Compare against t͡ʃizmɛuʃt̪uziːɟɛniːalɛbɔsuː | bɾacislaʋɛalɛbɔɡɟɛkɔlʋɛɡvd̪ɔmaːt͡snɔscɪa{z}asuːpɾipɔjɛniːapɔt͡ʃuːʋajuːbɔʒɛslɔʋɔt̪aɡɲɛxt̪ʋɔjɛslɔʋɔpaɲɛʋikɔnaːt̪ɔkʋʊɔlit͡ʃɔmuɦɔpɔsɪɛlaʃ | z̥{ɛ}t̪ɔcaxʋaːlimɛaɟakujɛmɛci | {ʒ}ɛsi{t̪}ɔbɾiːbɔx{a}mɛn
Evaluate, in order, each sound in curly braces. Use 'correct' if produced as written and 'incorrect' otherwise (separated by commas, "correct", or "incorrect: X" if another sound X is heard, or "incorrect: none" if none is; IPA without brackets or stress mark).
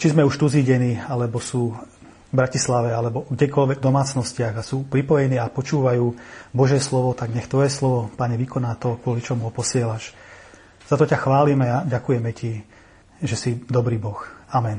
incorrect: ɣ, incorrect: a, correct, incorrect: d̪, correct